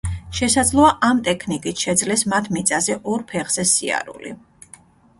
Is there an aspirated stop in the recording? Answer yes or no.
yes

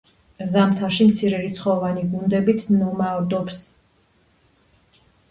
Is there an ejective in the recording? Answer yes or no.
no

